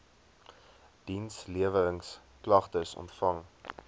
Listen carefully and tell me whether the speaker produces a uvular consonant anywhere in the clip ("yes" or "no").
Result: yes